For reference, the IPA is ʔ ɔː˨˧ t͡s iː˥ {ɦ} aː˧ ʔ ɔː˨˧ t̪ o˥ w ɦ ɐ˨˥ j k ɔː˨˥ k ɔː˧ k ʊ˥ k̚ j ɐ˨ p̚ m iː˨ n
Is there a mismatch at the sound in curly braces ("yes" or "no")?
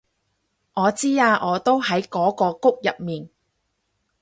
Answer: yes